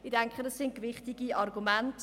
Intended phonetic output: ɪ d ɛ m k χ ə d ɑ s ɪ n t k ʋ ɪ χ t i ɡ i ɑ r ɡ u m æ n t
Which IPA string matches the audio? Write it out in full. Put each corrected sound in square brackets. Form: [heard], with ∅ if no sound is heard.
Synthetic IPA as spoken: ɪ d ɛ [ŋ] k χ ə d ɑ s ɪ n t k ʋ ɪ χ t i ɡ i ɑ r ɡ u m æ n t